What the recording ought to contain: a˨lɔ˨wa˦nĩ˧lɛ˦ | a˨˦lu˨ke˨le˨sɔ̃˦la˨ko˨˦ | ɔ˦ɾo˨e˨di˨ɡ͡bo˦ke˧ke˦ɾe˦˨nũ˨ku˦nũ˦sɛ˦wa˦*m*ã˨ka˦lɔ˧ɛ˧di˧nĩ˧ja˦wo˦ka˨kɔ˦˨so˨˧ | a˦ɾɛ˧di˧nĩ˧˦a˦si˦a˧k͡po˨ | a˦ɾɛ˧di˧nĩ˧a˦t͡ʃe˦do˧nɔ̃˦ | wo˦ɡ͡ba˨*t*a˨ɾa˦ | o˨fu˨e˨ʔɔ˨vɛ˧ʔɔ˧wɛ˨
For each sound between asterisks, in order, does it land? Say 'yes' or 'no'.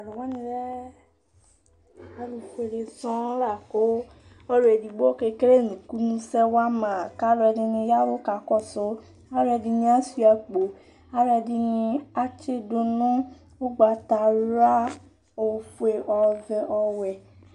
yes, yes

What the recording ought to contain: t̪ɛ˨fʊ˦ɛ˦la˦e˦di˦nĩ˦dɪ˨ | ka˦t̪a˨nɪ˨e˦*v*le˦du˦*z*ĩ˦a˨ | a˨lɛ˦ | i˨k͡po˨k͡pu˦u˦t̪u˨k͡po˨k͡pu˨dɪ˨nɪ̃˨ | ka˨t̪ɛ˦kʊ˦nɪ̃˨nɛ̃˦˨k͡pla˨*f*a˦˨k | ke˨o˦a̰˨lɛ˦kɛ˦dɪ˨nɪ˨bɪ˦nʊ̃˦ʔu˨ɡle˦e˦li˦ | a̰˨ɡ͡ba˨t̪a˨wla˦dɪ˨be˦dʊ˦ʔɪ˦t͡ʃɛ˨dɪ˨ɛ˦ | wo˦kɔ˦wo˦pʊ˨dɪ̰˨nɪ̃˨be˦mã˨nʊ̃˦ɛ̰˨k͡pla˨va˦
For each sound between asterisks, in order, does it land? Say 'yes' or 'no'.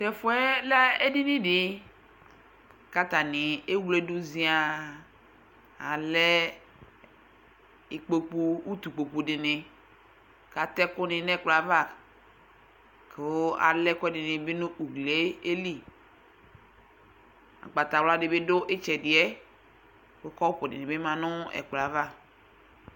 no, yes, no

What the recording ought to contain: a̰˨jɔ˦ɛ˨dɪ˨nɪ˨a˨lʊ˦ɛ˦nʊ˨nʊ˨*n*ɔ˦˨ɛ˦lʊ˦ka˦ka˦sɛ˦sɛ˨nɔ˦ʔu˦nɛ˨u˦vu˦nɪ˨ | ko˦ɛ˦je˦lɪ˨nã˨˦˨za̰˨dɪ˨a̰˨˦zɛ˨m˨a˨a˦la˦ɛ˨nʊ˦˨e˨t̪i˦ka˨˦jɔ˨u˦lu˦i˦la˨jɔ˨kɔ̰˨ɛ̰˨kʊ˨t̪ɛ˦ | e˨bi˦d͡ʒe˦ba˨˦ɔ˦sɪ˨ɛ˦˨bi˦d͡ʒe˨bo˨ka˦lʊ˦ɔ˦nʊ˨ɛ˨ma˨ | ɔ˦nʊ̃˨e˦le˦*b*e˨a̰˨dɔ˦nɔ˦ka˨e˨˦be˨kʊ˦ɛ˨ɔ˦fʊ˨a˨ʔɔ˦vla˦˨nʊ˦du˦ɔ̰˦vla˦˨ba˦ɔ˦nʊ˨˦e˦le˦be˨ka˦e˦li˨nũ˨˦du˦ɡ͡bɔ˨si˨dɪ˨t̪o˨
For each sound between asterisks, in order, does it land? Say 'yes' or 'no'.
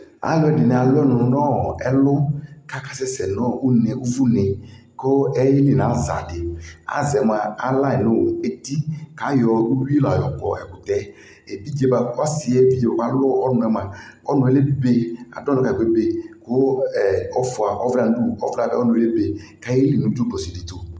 yes, yes

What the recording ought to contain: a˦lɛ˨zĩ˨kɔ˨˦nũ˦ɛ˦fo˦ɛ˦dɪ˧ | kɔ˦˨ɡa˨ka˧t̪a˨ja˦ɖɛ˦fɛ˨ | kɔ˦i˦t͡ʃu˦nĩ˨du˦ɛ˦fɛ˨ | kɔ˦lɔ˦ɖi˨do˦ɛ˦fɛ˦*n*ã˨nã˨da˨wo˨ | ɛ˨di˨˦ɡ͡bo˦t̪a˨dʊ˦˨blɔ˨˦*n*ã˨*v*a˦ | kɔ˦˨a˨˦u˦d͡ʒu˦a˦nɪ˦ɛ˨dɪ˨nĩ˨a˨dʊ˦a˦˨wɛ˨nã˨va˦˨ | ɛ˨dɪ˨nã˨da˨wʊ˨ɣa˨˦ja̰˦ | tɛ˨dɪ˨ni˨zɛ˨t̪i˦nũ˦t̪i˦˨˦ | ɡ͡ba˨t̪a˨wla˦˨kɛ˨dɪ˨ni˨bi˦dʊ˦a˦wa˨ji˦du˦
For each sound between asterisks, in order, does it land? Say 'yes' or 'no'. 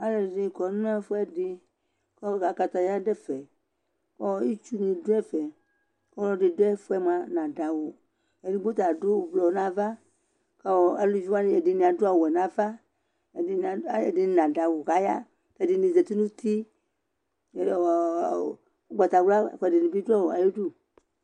no, yes, yes

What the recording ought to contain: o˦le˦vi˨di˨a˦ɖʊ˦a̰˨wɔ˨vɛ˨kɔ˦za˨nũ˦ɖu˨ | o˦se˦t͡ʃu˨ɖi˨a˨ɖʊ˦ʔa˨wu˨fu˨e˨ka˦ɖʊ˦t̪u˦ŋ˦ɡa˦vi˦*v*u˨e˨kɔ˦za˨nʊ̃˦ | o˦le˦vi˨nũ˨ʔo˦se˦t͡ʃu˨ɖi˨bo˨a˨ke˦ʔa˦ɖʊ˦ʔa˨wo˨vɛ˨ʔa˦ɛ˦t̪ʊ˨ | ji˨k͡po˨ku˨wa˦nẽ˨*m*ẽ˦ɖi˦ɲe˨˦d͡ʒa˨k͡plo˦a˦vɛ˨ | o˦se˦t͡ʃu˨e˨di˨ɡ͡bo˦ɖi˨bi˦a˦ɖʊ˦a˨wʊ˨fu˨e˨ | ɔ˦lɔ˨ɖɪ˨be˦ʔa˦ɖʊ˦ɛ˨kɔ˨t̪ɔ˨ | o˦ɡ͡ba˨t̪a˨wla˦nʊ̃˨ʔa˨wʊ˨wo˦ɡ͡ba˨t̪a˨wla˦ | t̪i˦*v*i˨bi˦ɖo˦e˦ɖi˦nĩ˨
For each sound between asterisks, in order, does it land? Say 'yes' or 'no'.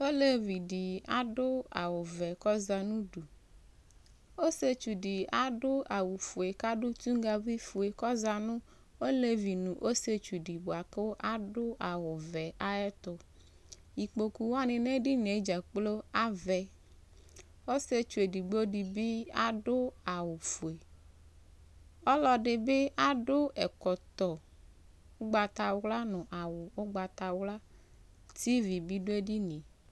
no, no, yes

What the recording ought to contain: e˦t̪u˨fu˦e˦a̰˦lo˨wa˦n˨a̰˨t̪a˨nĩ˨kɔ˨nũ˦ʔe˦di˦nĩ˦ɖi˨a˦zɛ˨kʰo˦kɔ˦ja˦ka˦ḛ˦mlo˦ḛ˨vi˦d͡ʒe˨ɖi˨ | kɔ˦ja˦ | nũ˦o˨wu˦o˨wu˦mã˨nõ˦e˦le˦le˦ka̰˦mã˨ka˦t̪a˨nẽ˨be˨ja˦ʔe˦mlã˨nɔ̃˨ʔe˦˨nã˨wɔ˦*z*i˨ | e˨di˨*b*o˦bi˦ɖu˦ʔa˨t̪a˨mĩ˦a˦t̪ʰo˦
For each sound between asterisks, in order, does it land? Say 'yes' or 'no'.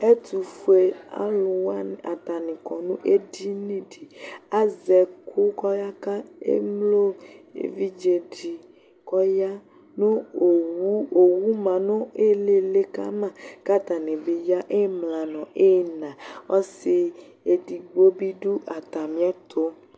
no, no

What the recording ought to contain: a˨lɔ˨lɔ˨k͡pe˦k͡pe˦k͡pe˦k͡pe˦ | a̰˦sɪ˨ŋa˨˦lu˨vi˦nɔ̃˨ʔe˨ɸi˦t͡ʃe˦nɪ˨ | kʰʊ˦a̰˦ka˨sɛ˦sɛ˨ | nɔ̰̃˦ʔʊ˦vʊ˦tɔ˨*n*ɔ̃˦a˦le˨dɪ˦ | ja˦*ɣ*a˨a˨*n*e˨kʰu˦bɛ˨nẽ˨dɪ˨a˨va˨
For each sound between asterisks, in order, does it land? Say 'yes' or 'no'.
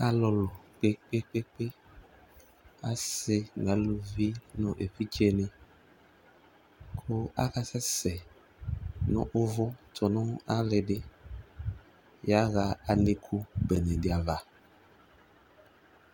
yes, yes, yes

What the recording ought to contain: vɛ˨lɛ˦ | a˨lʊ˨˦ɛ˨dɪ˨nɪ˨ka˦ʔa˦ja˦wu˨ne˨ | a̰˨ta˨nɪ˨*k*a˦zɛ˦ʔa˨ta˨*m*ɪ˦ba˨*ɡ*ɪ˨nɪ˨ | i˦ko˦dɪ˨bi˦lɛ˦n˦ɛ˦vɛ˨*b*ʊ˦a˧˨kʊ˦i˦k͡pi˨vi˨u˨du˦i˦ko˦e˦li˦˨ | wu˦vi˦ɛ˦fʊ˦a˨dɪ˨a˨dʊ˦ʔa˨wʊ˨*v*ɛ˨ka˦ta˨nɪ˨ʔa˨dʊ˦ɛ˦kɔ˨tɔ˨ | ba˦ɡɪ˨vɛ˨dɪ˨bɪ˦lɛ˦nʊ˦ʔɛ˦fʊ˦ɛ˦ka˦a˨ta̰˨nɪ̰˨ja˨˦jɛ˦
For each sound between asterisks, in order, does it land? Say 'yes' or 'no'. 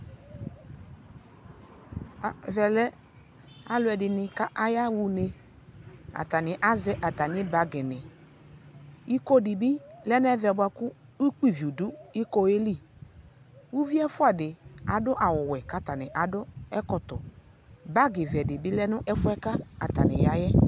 no, no, yes, yes, no

